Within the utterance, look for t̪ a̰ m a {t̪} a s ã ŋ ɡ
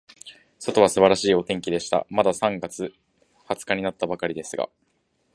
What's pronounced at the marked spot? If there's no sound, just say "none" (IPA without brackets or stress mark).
d̪